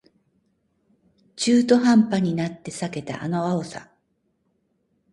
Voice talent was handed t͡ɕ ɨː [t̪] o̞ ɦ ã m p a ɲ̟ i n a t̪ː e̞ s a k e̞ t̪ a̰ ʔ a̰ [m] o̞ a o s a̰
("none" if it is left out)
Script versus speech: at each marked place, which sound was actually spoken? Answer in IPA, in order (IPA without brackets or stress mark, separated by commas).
t̪, n